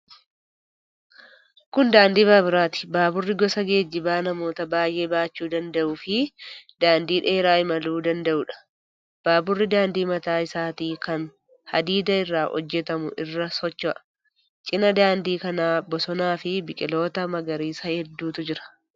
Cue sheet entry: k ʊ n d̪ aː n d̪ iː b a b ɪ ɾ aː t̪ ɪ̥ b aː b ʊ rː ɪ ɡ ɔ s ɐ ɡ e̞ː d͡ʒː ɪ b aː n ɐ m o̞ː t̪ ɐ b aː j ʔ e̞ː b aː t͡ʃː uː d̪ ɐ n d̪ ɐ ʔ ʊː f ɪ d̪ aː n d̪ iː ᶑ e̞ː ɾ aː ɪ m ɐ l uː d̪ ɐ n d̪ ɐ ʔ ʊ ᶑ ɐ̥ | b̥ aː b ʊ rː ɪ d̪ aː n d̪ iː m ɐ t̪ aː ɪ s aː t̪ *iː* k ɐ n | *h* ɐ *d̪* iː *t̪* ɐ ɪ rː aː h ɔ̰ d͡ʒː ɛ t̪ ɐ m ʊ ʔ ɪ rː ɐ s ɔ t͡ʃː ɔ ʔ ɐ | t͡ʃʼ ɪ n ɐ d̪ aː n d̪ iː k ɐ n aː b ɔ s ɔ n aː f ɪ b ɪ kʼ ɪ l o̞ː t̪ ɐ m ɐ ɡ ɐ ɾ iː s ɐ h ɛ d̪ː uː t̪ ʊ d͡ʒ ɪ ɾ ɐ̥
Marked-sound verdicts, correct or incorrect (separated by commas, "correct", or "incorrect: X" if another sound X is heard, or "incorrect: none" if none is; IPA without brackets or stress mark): correct, correct, correct, incorrect: d̪